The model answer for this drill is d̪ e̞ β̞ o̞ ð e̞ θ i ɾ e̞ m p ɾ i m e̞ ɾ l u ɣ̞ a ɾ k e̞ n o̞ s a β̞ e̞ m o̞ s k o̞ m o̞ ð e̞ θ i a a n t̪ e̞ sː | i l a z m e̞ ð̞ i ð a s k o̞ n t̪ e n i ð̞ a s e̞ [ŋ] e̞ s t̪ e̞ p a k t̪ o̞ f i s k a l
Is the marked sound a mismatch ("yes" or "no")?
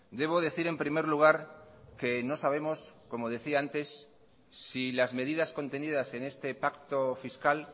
yes